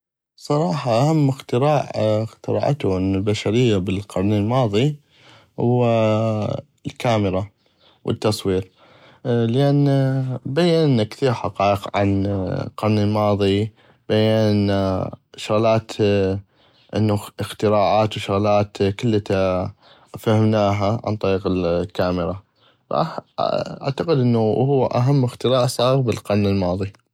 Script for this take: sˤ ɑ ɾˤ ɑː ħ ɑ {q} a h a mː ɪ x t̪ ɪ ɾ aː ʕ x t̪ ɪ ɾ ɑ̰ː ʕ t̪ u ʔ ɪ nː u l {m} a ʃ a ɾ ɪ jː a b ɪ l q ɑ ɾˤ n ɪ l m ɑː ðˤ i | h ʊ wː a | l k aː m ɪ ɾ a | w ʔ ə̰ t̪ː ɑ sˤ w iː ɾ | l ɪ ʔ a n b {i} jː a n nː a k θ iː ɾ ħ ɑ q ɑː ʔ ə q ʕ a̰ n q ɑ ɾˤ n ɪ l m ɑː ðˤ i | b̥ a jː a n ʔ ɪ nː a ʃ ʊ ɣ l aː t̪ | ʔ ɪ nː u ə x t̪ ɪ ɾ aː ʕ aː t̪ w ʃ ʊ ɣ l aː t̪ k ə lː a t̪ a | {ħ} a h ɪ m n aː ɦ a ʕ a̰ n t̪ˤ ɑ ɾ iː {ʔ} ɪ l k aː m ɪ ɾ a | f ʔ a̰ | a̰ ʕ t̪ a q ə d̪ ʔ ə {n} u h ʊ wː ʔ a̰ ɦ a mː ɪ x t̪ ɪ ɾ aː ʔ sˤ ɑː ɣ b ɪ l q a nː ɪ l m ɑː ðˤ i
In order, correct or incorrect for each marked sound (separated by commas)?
incorrect, incorrect, incorrect, incorrect, incorrect, incorrect